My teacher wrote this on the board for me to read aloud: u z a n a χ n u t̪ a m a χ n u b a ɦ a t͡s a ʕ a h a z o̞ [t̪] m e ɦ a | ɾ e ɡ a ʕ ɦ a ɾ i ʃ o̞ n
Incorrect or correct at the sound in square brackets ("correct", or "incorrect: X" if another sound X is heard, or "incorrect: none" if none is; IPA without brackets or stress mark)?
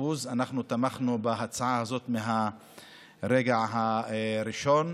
correct